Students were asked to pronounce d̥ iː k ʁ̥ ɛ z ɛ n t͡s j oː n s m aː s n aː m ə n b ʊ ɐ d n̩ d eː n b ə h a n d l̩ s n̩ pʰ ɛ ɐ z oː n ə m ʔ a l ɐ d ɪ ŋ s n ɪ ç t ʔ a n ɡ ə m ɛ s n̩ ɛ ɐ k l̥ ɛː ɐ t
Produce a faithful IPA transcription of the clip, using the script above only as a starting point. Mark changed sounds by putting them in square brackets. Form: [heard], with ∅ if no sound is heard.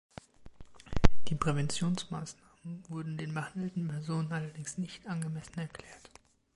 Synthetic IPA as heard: d̥ iː [p] ʁ̥ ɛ [v] ɛ n t͡s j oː n s m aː s n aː m ə n [v] ʊ ɐ d n̩ d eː n b ə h a n d l̩ [t] n̩ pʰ ɛ ɐ z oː n ə [n] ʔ a l ɐ d ɪ ŋ s n ɪ ç t ʔ a n ɡ ə m ɛ s n̩ ɛ ɐ k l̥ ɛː ɐ t